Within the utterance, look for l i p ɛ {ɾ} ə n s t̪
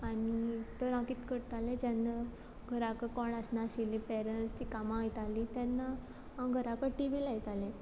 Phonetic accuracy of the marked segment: correct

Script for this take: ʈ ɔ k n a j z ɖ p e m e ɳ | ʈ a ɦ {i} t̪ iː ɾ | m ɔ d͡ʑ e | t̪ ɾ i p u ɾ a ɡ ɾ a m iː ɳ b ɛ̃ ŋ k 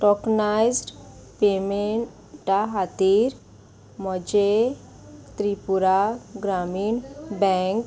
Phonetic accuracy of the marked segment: incorrect: a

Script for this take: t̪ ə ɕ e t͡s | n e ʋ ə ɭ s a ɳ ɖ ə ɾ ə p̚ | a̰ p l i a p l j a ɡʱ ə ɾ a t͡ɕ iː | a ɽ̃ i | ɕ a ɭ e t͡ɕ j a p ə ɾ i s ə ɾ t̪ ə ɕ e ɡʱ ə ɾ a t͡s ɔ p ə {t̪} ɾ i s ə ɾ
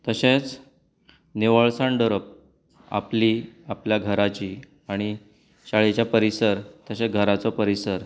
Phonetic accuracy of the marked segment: incorrect: none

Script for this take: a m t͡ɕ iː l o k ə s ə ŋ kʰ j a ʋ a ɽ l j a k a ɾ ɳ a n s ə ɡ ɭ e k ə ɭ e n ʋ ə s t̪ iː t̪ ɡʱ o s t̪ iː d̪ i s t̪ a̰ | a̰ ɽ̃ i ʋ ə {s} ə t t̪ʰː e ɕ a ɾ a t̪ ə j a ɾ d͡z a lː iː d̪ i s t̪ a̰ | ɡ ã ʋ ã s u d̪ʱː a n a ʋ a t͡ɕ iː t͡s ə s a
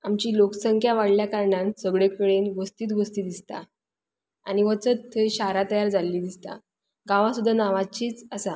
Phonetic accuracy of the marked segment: incorrect: t͡s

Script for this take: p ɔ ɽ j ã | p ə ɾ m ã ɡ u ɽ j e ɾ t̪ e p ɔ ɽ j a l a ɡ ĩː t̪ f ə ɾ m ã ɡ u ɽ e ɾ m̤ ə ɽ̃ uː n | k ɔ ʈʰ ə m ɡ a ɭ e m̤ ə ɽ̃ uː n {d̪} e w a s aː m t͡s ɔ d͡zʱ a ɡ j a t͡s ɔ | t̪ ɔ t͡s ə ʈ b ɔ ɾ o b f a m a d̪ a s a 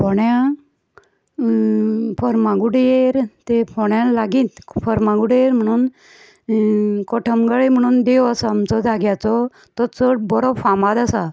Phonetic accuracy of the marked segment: correct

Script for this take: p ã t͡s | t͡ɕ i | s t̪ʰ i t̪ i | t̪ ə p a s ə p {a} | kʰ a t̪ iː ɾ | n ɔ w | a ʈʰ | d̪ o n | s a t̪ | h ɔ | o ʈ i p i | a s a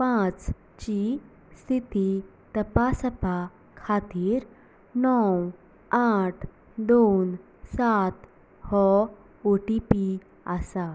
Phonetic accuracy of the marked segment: correct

